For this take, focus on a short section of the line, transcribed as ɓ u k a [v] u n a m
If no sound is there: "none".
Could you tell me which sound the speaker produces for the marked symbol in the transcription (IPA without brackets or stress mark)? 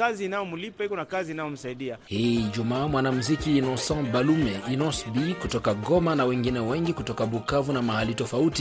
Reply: v